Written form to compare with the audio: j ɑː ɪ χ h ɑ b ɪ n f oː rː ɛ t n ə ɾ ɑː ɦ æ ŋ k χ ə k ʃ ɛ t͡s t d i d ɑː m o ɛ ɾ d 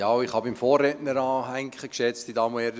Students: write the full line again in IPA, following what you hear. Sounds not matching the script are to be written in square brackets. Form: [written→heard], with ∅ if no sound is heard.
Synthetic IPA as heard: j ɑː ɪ χ h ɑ b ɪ [n→m] f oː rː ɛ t n ə ɾ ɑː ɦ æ ŋ k χ ə k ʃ ɛ t͡s t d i d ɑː m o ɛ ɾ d